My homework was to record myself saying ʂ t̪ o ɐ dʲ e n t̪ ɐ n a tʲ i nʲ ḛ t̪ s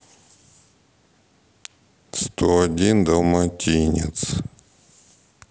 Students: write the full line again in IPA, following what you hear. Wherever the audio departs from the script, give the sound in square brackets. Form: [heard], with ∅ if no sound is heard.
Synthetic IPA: [s] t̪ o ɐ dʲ [i] n [d̪] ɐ [m] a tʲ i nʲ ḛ t̪ s